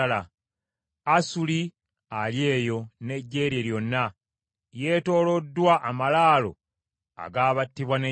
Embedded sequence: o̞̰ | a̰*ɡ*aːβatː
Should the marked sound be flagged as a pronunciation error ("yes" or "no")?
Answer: no